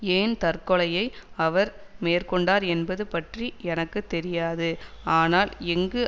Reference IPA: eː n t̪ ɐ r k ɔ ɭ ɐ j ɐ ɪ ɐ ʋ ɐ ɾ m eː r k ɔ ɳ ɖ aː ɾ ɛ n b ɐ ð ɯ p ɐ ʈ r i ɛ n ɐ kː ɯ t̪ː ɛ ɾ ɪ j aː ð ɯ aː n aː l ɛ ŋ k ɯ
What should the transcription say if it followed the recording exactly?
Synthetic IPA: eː n t̪ ɐ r k ɔ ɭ ɐ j ɐ ɪ ɐ ʋ ɐ ɾ m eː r k ɔ ɳ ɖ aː ɾ ɛ n b ɐ ð ɯ p ɐ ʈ r i ɛ n ɐ kː ɯ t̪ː ɛ ɾ ɪ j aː ð ɯ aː n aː l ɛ ŋ ɡ ɯ